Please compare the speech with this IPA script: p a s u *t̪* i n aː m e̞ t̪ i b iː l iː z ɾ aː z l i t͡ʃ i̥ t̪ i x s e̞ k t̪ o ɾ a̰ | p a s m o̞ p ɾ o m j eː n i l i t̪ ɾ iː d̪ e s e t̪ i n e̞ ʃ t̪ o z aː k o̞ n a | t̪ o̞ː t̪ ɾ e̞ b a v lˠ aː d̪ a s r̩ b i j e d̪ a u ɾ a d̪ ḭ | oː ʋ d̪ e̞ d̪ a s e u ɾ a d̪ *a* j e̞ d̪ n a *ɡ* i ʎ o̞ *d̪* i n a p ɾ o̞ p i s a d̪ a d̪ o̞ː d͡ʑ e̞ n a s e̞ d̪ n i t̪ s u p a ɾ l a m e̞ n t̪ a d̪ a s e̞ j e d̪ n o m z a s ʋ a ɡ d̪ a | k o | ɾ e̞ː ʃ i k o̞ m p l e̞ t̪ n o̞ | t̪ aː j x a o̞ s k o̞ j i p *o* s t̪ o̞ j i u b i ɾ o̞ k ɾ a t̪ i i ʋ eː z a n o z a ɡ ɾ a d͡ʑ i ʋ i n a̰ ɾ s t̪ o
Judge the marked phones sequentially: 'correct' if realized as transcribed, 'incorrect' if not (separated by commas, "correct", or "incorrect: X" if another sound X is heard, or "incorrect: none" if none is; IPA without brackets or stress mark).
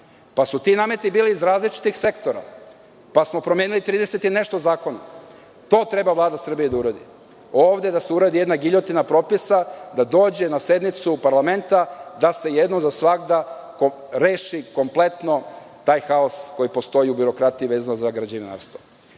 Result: correct, incorrect: i, correct, incorrect: t̪, correct